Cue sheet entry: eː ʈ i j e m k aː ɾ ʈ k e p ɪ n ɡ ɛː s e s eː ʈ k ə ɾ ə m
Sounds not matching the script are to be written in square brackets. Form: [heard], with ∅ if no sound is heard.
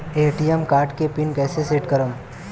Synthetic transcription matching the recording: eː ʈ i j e m k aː ɾ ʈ k e p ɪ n [k] ɛː s e s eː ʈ k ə ɾ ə m

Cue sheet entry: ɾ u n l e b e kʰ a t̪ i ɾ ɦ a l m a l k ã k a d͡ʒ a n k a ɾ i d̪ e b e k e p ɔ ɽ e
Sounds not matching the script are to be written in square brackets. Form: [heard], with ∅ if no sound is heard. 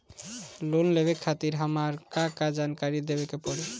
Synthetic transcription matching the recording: [l] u n l e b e kʰ a t̪ i ɾ ɦ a [∅] m a [ɾ] k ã k a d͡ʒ a n k a ɾ i d̪ e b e k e p ɔ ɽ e

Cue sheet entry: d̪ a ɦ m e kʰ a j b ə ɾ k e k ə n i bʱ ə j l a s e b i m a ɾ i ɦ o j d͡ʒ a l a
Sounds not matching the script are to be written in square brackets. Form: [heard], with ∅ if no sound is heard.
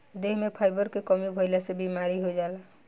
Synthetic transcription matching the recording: d̪ [e] ɦ m e [pʰ] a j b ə ɾ k e k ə [m] i bʱ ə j l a s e b i m a ɾ i ɦ o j d͡ʒ a l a

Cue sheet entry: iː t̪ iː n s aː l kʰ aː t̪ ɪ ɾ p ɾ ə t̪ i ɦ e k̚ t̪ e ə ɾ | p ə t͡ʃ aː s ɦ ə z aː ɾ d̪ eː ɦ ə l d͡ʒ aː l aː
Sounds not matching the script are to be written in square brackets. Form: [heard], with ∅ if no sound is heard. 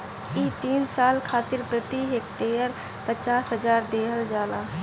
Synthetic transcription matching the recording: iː t̪ iː n s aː l kʰ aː t̪ ɪ ɾ p ɾ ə t̪ i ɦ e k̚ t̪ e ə ɾ | p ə t͡ʃ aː s ɦ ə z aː ɾ d̪ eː ɦ ə l d͡ʒ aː l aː

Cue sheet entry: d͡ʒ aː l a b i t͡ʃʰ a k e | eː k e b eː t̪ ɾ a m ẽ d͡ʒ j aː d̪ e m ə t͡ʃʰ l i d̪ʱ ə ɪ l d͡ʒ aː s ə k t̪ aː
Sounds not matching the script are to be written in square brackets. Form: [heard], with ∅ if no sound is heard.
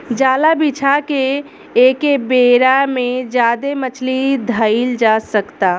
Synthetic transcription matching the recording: d͡ʒ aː l a b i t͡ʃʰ a k e | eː k e b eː [∅] ɾ a m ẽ d͡ʒ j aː d̪ e m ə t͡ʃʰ l i d̪ʱ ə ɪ l d͡ʒ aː s ə k t̪ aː

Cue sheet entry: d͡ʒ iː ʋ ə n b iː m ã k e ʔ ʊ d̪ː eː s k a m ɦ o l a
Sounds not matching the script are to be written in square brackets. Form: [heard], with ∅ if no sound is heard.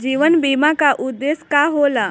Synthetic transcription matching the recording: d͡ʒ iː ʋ ə n b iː m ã k [a] ʔ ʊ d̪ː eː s k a [∅] ɦ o l a

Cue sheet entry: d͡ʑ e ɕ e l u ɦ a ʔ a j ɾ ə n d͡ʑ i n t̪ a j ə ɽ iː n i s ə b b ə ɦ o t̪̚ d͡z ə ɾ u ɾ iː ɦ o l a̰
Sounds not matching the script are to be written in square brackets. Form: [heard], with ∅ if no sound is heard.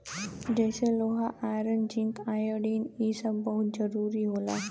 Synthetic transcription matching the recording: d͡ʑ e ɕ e l [o] ɦ a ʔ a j ɾ ə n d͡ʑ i n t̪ a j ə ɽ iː n i s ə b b ə ɦ [u] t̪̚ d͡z ə ɾ u ɾ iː ɦ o l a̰

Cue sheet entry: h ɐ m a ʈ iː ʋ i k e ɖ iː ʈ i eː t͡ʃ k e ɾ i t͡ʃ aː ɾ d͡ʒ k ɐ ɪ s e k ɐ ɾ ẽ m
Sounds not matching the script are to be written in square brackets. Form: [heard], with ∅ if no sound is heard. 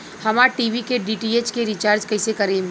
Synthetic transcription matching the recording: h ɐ m a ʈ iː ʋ i k e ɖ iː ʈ i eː t͡ʃ k e ɾ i t͡ʃ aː ɾ d͡ʒ k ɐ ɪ s e k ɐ ɾ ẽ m

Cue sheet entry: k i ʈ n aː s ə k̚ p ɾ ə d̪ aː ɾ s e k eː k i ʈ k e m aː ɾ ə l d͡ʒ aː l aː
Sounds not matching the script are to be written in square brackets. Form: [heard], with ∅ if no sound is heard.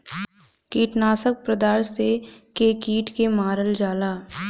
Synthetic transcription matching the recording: k [iː] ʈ n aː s ə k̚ p ɾ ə d̪ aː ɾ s e k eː k [iː] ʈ k e m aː ɾ ə l d͡ʒ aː l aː

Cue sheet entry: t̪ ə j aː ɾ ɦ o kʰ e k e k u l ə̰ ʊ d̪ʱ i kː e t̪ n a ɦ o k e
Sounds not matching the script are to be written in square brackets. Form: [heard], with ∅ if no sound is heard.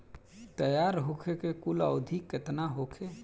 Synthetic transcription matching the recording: t̪ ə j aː ɾ ɦ o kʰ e k e k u l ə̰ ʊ d̪ʱ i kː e t̪ n a ɦ o [kʰ] e

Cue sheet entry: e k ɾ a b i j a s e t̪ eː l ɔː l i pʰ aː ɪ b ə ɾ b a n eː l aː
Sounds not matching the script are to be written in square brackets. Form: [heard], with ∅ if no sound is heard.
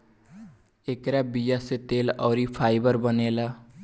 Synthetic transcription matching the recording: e k ɾ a b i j a s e t̪ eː l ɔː [ɾ] i pʰ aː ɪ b ə ɾ b [ə] n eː l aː

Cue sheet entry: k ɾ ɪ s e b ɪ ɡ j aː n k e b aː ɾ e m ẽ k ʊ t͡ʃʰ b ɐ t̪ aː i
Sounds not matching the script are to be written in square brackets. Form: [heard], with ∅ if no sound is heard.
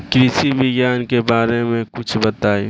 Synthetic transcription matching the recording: k ɾ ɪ s [i] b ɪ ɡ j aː n k e b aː ɾ e m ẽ k ʊ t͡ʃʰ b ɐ t̪ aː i

